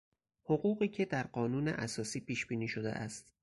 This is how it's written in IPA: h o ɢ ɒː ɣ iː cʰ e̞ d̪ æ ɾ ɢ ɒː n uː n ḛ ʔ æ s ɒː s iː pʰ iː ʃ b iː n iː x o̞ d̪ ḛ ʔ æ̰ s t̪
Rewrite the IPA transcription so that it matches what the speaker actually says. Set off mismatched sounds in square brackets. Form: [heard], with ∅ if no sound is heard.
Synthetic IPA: h o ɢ [uː] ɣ iː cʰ e̞ d̪ æ ɾ ɢ ɒː n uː n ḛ ʔ æ s ɒː s iː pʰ iː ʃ b iː n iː [ʃ] o̞ d̪ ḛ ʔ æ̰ s t̪